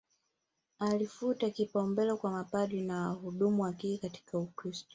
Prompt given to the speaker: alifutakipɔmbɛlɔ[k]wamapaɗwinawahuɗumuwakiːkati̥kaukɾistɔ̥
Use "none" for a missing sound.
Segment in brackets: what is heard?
k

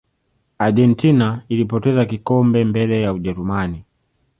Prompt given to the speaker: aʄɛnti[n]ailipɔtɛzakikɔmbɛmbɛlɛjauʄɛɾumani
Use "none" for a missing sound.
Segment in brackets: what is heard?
n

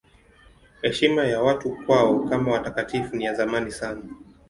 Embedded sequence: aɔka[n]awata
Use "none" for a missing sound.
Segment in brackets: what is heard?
m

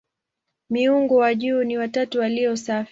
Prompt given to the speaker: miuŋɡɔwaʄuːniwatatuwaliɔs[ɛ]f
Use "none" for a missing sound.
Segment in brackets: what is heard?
a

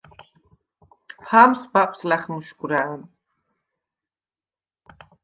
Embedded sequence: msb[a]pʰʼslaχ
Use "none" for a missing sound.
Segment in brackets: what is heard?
a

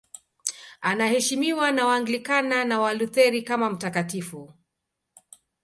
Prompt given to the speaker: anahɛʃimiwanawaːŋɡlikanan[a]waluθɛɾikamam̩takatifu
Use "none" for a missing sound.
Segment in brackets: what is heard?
a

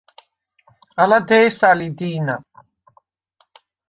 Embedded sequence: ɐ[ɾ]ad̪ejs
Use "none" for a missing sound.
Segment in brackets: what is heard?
l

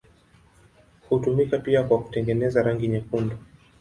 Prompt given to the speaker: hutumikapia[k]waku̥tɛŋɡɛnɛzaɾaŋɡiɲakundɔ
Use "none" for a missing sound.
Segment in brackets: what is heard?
k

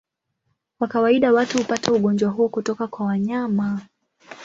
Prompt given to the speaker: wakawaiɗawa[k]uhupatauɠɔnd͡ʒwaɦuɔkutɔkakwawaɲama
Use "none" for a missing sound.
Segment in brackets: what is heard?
t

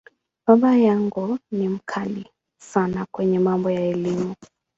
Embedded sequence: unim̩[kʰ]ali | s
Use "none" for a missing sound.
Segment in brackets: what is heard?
kʰ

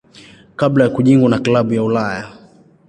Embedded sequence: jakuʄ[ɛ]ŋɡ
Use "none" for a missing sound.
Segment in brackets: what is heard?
i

